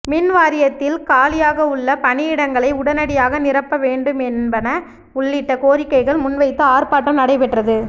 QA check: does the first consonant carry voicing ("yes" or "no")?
yes